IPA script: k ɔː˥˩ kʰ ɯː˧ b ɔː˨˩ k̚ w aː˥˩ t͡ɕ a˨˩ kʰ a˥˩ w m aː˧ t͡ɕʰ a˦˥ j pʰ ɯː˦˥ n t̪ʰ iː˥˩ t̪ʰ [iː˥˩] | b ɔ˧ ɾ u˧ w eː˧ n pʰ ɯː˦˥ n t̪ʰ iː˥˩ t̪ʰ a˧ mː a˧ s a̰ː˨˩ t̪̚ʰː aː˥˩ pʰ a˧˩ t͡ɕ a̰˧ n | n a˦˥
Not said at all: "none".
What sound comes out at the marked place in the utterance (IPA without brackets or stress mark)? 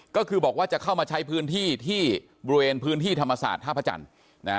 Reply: iː˥˩